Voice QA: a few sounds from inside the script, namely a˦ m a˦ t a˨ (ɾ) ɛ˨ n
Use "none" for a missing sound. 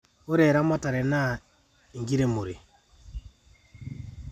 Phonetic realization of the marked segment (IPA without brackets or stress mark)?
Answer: ɾ